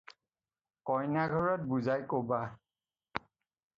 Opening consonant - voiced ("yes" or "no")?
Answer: no